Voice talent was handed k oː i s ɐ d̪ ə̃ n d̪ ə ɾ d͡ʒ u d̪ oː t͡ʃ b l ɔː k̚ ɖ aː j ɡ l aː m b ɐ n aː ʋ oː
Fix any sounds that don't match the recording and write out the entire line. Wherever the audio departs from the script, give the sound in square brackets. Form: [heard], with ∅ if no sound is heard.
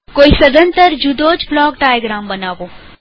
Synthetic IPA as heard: k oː i s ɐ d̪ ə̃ n [t̪] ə ɾ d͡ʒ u d̪ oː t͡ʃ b l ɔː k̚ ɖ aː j ɡ [ɾ] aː m b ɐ n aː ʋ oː